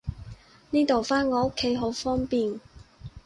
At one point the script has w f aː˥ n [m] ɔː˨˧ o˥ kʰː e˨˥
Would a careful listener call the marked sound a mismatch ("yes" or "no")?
yes